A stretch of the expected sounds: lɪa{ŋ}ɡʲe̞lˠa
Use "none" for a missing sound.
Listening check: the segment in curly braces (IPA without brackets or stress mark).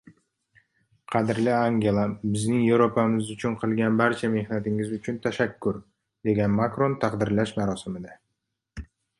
ŋ